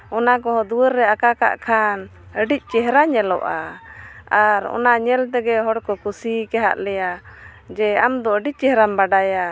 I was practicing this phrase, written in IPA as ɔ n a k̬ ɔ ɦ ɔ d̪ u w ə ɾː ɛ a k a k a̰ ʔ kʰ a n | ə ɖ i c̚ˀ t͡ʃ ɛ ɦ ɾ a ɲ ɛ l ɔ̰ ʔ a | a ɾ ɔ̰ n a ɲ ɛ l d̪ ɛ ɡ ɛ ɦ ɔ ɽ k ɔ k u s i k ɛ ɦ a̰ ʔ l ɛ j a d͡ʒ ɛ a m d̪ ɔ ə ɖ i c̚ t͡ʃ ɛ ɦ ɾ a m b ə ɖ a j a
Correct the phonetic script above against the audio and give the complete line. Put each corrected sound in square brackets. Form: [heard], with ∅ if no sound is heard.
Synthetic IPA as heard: ɔ n a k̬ ɔ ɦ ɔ d̪ u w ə ɾː ɛ a k a k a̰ ʔ kʰ a n | ə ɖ i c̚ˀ t͡ʃ ɛ ɦ ɾ a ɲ ɛ l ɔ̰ ʔ a | a ɾ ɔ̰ n a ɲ ɛ l [t̪] ɛ ɡ ɛ ɦ ɔ ɽ k ɔ k u s i k ɛ ɦ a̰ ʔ l ɛ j a d͡ʒ ɛ a m d̪ ɔ ə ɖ i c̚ t͡ʃ ɛ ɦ ɾ a m b [a] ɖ a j a

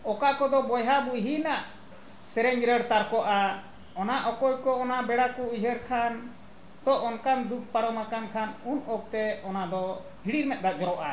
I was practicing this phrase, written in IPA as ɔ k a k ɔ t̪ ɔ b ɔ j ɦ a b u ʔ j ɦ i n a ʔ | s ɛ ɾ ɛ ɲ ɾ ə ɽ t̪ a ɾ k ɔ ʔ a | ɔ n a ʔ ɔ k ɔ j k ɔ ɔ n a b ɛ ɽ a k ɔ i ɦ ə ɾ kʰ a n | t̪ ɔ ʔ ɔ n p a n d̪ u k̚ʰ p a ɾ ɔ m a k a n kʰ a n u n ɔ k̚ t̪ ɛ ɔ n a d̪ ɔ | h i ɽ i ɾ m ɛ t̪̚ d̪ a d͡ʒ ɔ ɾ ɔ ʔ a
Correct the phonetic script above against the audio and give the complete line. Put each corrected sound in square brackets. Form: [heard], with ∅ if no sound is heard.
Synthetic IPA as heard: ɔ k a k ɔ [d̪] ɔ b ɔ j ɦ a b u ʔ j ɦ i n a ʔ | s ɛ ɾ ɛ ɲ ɾ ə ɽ t̪ a ɾ k ɔ ʔ a | ɔ n a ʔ ɔ k ɔ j k ɔ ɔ n a b ɛ ɽ a k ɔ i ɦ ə ɾ kʰ a n | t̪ ɔ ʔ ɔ n [k] a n d̪ u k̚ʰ p a ɾ ɔ m a k a n kʰ a n u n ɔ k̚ t̪ ɛ ɔ n a d̪ ɔ | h i ɽ i ɾ m ɛ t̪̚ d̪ a d͡ʒ ɔ ɾ ɔ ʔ a

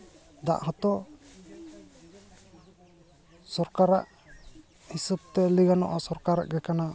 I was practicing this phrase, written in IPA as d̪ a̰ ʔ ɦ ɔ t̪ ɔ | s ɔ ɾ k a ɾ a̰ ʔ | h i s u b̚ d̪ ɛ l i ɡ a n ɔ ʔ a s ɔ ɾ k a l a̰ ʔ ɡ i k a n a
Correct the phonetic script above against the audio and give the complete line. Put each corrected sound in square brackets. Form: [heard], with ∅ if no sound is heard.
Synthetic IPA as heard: d̪ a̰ ʔ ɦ ɔ t̪ ɔ | s ɔ ɾ k a ɾ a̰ ʔ | h i s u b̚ [t̪] ɛ l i ɡ a n ɔ ʔ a s ɔ ɾ k a [ɾ] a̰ ʔ ɡ [ɛ] k a n a

